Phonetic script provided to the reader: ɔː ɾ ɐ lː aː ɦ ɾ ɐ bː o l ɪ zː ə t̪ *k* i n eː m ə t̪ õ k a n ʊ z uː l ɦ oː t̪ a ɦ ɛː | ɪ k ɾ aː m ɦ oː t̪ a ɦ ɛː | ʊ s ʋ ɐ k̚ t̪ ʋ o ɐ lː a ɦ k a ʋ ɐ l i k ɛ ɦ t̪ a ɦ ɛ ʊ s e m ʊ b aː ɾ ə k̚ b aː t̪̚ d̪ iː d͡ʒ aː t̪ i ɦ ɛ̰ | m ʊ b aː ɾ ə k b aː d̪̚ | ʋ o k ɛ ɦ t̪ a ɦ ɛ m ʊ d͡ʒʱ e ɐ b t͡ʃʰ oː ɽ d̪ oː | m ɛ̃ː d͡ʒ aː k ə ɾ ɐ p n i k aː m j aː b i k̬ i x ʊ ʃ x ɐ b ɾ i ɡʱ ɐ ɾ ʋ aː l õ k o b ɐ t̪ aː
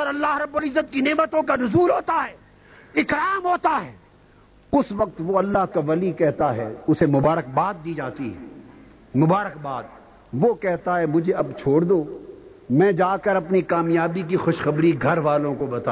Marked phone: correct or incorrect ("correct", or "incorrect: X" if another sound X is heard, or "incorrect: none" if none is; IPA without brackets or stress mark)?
correct